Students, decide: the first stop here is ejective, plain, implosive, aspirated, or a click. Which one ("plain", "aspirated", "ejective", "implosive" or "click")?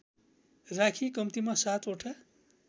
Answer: aspirated